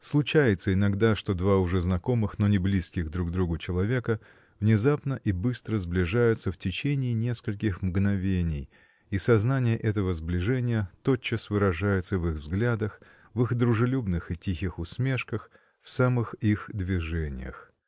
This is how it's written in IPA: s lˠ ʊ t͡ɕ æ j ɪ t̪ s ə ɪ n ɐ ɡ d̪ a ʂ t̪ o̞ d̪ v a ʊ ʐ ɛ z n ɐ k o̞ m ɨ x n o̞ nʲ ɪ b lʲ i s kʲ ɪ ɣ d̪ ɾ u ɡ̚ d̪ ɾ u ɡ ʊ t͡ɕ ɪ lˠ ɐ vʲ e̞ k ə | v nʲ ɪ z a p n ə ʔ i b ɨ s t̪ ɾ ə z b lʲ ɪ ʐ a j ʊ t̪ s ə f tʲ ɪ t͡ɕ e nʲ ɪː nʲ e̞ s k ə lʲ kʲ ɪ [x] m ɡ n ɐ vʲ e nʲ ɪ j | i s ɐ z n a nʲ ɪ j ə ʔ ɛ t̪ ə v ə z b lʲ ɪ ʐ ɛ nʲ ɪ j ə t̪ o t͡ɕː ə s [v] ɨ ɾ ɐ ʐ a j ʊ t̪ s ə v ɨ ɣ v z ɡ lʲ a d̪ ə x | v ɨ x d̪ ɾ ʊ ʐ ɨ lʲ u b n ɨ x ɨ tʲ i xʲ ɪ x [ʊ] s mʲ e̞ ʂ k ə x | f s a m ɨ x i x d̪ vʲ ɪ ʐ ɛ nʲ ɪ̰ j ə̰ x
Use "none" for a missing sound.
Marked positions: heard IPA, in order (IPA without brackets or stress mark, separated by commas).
x, v, ʊ